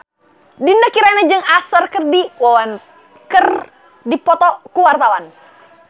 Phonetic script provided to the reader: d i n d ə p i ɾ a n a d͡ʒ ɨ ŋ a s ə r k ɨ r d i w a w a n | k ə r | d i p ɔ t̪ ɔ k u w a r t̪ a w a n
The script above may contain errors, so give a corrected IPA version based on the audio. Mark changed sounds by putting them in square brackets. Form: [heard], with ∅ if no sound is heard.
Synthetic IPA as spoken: d i n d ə [k] i ɾ a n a d͡ʒ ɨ ŋ a s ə r k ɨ r d i w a w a n | k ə r | d i p ɔ t̪ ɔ k u w a r t̪ a w a n